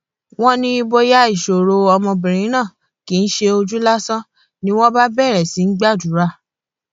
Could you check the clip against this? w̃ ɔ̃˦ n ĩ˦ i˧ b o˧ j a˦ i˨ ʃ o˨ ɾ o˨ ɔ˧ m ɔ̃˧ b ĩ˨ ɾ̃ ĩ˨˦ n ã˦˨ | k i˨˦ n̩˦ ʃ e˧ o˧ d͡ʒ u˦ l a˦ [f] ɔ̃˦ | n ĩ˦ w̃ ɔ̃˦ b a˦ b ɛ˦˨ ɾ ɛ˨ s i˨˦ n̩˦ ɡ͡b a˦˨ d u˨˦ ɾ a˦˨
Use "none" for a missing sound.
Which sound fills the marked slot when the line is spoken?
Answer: s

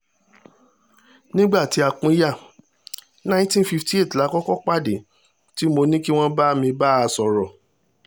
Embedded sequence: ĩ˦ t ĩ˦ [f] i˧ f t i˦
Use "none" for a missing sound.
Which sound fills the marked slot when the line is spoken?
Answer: f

